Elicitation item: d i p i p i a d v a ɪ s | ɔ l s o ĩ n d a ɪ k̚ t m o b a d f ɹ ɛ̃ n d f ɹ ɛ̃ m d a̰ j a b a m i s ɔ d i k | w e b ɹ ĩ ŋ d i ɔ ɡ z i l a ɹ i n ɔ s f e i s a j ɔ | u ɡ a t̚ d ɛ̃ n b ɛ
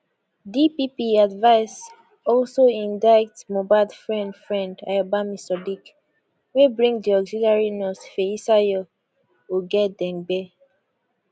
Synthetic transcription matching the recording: d i p i p i a d v a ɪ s | ɔ l s o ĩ n d a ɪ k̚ t m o b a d f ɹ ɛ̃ n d f ɹ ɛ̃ n d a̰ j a b a m i s ɔ d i k | w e b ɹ ĩ ŋ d i ɔ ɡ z i l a ɹ i n ɔ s f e i s a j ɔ | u ɡ ɛ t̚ d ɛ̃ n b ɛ